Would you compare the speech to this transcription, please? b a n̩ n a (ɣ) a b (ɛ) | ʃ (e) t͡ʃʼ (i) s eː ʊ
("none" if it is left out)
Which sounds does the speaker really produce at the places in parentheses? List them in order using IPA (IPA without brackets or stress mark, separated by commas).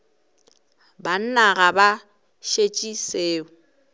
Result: ɣ, a, e, i